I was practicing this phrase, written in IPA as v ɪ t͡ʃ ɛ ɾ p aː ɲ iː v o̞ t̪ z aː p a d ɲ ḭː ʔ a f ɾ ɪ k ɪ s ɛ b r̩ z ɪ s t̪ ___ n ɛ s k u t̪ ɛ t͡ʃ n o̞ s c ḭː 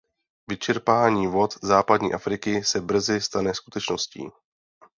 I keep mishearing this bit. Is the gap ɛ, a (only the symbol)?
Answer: a